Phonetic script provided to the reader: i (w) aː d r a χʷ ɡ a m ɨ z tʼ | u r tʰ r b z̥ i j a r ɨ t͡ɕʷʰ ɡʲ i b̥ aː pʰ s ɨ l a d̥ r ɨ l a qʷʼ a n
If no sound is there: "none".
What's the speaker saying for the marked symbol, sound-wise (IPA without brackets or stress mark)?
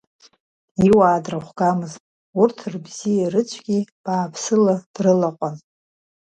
w